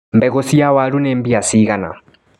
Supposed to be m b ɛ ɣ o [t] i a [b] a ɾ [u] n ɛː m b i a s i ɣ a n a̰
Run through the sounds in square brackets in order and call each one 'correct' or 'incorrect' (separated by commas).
incorrect, incorrect, correct